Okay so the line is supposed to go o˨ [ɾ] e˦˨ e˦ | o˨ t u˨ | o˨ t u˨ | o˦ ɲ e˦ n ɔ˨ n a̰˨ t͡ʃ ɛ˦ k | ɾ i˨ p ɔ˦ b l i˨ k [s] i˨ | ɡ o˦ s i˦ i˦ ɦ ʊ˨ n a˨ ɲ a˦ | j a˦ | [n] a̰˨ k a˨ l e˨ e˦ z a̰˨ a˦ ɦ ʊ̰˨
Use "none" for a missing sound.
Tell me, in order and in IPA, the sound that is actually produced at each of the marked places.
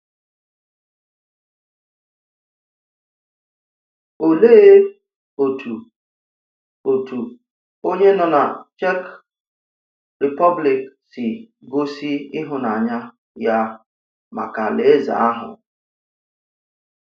l, s, m

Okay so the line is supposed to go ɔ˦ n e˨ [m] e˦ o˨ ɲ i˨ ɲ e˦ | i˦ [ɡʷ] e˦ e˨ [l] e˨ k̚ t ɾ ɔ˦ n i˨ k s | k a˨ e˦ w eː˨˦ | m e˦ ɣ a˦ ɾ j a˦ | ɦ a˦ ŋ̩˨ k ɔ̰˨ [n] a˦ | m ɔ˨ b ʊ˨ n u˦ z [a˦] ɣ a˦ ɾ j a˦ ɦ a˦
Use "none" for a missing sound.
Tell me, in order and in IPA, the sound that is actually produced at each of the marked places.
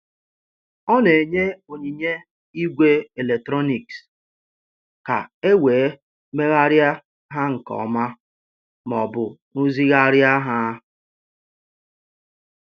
ɲ, ɡʷ, l, m, i˦

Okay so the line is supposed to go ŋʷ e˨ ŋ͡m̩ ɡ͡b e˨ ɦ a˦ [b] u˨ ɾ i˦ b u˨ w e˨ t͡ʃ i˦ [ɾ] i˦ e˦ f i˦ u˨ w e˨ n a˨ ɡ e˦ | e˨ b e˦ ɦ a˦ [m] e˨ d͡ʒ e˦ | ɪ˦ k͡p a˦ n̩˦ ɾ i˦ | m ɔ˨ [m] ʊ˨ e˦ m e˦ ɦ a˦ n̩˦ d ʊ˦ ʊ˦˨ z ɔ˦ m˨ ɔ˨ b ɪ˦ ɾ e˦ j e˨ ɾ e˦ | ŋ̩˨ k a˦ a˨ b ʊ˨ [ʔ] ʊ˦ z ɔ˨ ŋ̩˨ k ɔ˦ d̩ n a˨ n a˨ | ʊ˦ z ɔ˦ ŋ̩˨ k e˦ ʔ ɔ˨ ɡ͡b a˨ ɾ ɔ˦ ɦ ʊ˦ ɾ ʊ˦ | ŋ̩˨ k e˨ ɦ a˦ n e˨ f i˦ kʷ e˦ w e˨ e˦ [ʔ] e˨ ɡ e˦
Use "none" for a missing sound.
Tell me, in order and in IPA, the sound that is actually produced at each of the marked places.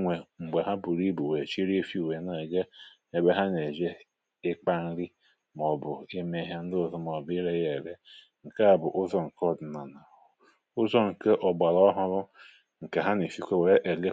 b, ɾ, n, b, ʔ, ʔ

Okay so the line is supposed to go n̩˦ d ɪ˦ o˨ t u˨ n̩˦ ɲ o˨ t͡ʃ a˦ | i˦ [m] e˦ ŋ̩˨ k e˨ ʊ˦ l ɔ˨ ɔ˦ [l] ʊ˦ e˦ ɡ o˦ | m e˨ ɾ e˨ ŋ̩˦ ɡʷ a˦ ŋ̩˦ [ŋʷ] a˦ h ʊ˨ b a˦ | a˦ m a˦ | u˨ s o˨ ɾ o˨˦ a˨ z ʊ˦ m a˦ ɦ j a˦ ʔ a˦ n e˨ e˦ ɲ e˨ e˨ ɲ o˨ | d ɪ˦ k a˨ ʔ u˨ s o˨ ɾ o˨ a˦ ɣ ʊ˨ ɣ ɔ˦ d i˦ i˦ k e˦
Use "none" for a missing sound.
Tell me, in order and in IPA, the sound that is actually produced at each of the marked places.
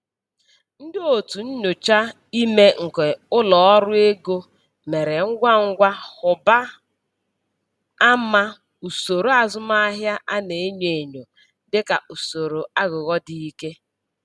m, ɾ, ɡʷ

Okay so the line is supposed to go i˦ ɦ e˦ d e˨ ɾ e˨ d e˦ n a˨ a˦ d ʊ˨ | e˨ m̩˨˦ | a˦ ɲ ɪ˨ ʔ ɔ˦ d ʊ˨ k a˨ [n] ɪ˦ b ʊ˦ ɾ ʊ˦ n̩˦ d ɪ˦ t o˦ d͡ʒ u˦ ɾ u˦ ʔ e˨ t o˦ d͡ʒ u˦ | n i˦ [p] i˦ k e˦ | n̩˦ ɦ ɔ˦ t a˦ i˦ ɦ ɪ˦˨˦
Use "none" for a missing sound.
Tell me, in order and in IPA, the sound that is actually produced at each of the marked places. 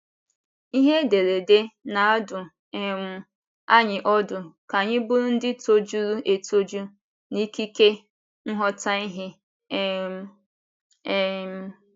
ɲ, k

